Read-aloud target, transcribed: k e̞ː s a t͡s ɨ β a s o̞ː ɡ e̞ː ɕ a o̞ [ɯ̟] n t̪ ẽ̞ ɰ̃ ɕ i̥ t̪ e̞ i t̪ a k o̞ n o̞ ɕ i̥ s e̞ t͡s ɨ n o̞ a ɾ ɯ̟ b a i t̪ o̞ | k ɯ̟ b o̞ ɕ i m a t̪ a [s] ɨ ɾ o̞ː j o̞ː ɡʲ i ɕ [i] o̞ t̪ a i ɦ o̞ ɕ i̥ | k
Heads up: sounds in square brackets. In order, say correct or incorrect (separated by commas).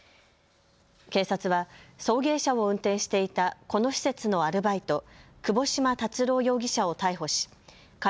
incorrect, incorrect, incorrect